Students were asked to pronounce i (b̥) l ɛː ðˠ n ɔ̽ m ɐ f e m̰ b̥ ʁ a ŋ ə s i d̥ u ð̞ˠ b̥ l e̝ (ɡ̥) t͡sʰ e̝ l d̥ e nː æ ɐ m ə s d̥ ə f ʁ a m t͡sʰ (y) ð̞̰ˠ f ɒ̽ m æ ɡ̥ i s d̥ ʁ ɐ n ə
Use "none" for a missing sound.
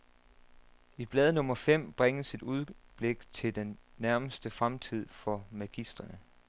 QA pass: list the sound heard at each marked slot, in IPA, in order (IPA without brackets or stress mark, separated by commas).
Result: b̥, ɡ̥, i